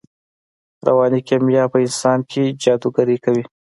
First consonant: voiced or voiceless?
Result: voiced